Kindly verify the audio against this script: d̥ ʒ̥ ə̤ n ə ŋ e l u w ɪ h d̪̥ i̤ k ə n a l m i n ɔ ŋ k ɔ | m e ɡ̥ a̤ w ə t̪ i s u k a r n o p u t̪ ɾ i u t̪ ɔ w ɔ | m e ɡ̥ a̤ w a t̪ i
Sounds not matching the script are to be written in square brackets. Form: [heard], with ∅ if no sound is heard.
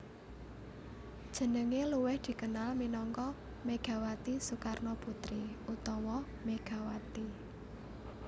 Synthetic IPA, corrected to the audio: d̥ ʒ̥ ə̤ n ə ŋ e l u w ɪ h d̪̥ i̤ k ə n a l m i n ɔ ŋ k ɔ | m e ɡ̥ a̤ w [a] t̪ i s u k a r n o p u t̪ ɾ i u t̪ ɔ w ɔ | m e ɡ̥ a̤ w a t̪ i